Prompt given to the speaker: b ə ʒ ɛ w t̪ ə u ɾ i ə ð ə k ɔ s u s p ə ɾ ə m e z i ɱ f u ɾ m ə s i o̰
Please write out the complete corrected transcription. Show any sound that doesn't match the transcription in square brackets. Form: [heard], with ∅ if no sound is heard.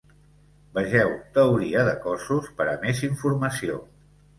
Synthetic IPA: b ə ʒ ɛ w t̪ ə u ɾ i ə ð ə k ɔ s u s p ə ɾ ə m e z i ɱ f u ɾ m ə s i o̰